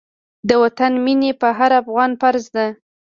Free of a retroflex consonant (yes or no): yes